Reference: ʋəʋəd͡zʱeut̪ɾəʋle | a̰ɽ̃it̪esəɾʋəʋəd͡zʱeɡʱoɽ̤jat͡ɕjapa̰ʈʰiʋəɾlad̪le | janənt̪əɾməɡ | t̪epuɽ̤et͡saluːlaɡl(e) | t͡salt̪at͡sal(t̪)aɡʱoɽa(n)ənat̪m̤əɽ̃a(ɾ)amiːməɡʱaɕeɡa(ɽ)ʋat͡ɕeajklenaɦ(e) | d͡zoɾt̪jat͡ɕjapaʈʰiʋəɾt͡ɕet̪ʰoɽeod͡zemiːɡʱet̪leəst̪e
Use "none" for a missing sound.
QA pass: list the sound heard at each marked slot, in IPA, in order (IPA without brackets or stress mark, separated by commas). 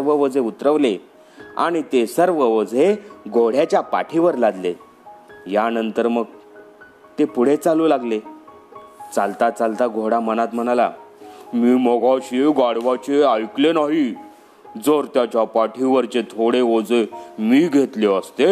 e, t̪, m, l, ɽ, i